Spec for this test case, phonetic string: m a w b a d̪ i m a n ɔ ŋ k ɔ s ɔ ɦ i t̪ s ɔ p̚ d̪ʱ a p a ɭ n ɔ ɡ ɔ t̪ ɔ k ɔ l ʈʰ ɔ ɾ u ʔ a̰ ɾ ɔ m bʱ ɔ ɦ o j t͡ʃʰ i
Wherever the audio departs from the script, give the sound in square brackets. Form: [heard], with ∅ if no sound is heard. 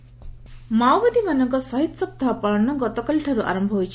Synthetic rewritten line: m a w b a d̪ i m a n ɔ ŋ k ɔ s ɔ ɦ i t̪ s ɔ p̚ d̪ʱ a p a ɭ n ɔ ɡ ɔ t̪ ɔ k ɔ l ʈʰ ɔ ɾ u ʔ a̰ ɾ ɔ m bʱ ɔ ɦ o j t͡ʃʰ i